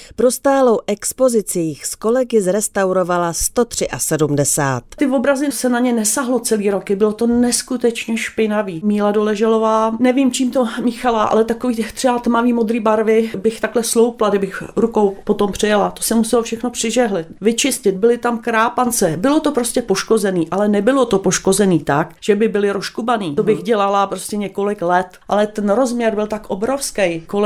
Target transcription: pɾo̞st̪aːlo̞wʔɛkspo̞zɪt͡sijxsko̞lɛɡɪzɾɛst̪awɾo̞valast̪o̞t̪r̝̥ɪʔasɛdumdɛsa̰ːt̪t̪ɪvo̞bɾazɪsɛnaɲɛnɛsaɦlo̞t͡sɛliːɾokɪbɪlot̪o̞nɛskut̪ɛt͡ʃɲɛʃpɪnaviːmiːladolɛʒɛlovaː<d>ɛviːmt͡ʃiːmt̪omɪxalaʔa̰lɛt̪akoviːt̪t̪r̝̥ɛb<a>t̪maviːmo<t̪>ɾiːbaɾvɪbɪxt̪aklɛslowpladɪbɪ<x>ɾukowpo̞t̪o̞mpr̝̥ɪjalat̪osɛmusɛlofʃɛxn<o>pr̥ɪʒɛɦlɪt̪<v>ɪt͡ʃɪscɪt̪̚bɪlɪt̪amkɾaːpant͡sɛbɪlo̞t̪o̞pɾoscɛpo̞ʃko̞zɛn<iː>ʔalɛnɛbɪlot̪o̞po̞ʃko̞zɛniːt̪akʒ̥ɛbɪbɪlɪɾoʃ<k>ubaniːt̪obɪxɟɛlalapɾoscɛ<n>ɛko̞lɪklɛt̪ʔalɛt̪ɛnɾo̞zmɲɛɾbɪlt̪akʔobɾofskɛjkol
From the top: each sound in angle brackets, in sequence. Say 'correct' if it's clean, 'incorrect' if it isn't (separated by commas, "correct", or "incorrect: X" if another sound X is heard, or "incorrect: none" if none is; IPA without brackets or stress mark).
incorrect: n, correct, incorrect: d̪, correct, correct, correct, correct, correct, incorrect: ɲ